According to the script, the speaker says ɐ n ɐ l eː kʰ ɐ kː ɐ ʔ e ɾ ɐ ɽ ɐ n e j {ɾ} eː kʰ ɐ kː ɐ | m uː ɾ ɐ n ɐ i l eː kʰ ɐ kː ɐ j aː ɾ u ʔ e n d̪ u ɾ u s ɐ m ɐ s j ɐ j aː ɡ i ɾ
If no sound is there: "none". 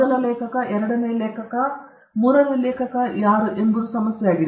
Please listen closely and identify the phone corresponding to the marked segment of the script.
l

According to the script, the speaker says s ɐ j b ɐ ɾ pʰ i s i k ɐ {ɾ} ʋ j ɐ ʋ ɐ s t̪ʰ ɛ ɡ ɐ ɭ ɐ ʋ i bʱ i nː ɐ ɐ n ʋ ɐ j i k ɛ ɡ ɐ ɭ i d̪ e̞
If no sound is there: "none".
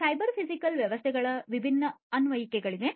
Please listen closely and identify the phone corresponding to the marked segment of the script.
l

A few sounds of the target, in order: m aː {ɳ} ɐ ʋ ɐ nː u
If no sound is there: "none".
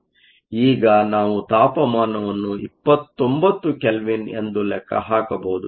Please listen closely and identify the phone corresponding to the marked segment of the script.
n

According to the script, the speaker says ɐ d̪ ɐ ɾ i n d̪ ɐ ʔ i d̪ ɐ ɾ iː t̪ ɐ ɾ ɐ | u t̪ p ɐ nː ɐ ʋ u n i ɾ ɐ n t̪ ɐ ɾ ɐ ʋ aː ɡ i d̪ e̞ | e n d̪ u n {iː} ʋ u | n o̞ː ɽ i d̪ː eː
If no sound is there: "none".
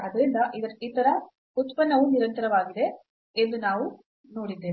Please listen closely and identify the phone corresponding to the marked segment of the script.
aː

